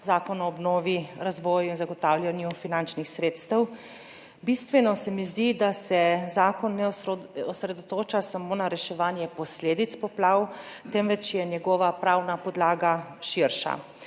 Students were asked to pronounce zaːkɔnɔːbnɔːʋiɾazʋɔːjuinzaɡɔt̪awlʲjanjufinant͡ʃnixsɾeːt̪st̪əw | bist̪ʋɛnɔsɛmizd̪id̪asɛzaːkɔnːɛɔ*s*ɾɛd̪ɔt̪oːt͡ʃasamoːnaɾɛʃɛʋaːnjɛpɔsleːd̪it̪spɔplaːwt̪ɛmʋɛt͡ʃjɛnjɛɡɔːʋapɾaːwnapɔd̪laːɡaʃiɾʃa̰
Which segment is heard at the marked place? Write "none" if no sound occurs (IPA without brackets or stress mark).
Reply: s